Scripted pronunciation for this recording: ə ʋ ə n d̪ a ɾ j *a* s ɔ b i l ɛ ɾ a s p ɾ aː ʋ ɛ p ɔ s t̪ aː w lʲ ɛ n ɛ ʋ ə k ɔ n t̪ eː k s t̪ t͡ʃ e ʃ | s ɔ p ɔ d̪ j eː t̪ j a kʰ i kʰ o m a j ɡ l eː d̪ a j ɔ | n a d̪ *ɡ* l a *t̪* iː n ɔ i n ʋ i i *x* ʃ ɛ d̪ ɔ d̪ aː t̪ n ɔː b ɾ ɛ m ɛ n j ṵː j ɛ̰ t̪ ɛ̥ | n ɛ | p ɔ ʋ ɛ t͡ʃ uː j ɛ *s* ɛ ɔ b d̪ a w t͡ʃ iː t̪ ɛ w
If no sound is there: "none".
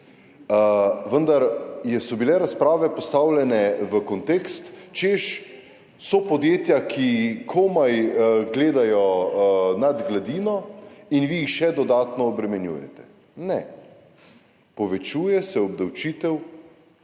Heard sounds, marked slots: ɛ, ɡ, d̪, x, s

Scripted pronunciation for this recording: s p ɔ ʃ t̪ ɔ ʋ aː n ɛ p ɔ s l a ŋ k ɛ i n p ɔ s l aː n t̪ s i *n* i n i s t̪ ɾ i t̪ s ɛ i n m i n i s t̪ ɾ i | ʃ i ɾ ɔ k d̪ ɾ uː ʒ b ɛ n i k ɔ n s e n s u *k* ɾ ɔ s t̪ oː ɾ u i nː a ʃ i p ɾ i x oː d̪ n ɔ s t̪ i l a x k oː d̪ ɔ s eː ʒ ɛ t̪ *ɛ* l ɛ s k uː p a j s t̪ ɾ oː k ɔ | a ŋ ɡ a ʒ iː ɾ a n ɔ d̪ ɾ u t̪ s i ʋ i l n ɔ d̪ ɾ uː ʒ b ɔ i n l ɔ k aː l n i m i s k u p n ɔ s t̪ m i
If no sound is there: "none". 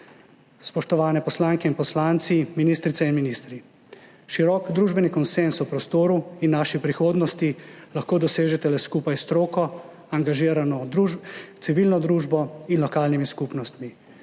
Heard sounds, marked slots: m, p, ɛ

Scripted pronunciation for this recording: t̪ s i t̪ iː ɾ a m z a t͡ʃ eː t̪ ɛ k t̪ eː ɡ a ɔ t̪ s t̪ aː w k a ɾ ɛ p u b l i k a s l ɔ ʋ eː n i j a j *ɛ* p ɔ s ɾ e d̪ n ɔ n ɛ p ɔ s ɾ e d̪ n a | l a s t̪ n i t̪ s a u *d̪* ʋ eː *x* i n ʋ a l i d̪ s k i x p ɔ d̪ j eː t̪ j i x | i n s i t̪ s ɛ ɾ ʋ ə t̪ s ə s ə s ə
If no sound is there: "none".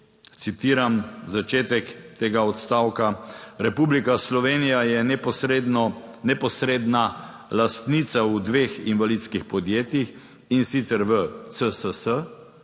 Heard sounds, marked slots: ɛ, d̪, x

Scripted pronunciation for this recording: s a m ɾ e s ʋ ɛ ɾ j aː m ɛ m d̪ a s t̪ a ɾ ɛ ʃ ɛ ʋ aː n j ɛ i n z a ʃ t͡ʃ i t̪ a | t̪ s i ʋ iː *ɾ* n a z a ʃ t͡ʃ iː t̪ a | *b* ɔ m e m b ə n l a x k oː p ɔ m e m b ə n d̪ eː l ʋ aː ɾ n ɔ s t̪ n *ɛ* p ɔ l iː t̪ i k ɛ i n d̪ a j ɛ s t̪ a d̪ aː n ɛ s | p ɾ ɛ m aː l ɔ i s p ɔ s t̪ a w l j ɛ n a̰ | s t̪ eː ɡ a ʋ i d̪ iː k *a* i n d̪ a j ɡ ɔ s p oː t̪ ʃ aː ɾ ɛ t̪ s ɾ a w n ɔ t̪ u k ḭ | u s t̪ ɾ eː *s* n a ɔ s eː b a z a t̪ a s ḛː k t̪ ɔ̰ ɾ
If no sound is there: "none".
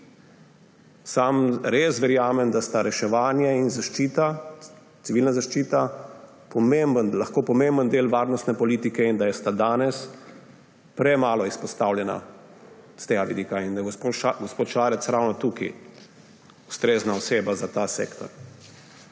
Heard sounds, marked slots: l, p, ɛ, a, z

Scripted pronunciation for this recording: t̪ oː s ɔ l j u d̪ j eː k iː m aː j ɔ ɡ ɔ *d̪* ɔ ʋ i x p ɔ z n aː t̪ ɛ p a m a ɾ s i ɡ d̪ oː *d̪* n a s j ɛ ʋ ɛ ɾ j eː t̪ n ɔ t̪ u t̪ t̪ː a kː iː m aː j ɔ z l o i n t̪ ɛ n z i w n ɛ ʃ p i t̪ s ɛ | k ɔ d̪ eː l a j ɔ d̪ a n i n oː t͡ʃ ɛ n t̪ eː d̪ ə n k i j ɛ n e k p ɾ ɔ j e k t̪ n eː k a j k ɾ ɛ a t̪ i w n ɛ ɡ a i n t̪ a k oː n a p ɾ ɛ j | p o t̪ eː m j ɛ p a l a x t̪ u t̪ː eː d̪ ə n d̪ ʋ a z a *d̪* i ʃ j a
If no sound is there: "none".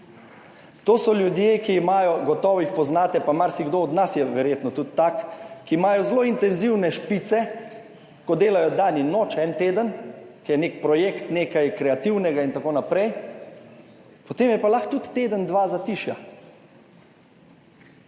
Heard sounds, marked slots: t̪, d̪, t̪

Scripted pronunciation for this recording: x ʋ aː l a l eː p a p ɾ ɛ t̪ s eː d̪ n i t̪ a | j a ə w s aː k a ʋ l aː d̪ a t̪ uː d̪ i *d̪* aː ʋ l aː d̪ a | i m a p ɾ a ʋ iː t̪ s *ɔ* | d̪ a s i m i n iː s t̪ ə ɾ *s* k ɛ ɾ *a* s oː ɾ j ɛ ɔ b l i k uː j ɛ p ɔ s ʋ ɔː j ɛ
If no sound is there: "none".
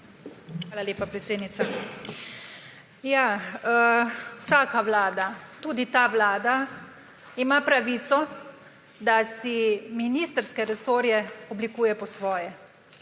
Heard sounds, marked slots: t̪, ɔ, s, ɛ

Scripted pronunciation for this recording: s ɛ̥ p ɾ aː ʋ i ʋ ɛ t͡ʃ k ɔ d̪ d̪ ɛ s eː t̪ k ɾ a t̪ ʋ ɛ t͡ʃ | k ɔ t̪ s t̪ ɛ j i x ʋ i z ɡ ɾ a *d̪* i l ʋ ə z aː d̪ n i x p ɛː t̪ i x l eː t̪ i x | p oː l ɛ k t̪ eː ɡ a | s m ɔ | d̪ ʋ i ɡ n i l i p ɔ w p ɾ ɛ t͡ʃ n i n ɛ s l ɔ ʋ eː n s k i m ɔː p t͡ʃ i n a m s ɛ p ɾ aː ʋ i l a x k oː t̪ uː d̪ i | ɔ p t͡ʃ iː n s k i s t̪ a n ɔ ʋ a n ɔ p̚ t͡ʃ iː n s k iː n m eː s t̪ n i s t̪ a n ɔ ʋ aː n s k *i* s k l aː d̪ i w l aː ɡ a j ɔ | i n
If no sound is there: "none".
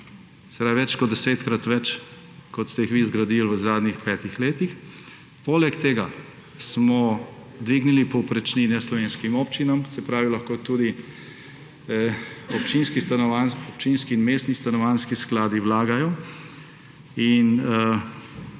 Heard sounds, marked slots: d̪, i

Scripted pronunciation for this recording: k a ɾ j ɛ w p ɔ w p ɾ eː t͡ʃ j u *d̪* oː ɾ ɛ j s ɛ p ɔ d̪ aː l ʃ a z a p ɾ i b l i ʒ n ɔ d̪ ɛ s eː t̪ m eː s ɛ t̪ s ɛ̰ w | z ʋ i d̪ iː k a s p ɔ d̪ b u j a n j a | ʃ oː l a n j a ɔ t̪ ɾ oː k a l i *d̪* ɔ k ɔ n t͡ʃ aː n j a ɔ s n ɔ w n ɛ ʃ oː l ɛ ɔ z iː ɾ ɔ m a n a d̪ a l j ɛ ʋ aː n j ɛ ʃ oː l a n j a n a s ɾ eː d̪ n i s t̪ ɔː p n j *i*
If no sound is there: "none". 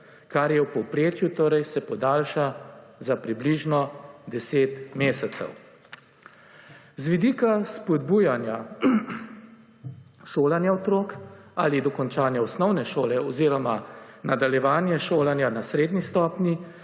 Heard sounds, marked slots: t̪, d̪, i

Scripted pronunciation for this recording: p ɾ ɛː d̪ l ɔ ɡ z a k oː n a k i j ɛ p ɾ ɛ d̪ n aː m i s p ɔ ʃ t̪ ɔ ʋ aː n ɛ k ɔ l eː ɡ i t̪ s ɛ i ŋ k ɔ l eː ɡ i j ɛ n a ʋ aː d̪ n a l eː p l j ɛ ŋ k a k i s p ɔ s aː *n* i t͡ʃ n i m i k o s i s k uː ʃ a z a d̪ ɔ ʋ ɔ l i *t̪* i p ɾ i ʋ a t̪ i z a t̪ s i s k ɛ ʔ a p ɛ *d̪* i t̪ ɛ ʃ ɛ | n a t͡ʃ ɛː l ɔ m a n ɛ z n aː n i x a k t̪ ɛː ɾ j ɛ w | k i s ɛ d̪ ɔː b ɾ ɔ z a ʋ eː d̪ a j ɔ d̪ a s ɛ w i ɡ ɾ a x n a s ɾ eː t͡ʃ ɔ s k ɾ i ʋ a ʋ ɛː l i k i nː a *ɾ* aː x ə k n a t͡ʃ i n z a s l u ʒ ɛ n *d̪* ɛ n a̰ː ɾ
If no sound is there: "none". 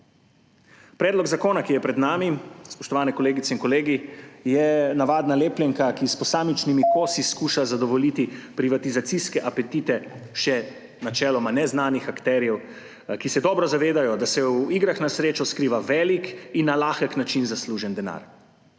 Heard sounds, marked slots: m, t̪, t̪, l, d̪

